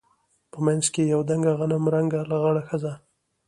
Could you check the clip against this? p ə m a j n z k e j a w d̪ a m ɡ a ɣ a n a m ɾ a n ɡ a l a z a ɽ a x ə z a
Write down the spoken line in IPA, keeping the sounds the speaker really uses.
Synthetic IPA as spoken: p ə m a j n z k e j a w d̪ a ŋ ɡ a ɣ a n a m ɾ a ŋ ɡ a l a ɣ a ɽ a x ə z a